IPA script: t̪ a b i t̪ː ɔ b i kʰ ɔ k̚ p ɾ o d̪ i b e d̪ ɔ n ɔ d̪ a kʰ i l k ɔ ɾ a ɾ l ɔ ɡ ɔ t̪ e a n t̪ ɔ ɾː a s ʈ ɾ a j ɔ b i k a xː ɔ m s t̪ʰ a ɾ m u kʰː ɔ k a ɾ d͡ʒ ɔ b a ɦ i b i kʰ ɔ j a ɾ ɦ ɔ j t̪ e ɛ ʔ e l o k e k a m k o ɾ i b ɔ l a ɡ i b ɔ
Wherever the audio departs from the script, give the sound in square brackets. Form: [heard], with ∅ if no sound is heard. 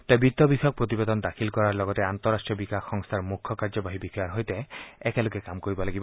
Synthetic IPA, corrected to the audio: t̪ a b i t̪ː ɔ b i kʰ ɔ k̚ p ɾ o [t̪] i b e d̪ ɔ n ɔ d̪ a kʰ i l k ɔ ɾ a ɾ l ɔ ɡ ɔ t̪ e a n t̪ ɔ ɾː a s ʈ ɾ [i] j ɔ b i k a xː ɔ [ŋ] s t̪ʰ a ɾ m u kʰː ɔ k a ɾ d͡ʒ ɔ b a ɦ i b i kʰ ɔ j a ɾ ɦ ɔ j t̪ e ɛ [k] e l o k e k a m k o ɾ i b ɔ l a ɡ i b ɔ